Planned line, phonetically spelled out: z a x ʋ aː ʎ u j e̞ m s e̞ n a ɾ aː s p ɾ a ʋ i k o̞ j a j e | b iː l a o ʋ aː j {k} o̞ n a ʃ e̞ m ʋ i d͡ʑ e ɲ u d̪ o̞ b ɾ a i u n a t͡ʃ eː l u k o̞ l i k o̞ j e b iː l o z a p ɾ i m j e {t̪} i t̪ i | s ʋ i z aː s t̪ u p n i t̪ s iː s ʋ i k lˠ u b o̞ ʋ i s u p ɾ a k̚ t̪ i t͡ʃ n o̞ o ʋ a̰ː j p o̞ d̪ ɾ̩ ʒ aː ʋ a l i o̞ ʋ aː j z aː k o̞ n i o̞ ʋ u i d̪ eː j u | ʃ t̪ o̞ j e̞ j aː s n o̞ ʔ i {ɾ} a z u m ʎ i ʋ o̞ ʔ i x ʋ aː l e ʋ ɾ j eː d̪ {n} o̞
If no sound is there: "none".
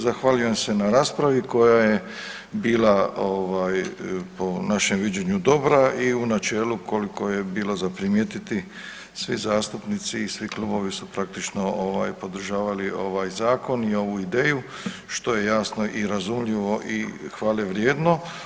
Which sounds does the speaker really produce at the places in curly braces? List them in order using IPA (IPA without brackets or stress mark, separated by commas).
p, t̪, ɾ, n